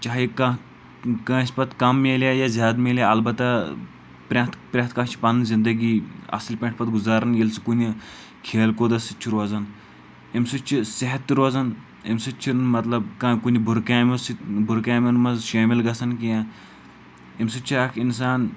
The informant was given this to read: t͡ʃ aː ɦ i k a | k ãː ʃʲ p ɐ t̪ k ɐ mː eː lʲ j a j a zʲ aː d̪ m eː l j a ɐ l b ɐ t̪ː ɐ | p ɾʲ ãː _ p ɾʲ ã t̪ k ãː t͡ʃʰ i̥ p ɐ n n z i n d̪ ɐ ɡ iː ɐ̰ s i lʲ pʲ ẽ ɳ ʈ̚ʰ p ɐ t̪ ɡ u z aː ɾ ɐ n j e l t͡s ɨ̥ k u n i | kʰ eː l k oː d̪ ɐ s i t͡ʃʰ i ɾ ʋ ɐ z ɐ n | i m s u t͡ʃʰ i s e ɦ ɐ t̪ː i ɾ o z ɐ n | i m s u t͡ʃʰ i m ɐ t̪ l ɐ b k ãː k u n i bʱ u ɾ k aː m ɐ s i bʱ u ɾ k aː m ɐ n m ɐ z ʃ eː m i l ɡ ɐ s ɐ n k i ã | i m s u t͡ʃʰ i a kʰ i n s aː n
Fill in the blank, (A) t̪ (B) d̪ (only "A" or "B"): A